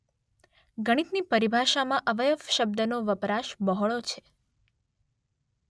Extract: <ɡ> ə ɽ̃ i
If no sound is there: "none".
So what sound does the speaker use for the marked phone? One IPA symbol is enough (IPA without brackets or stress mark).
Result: ɡ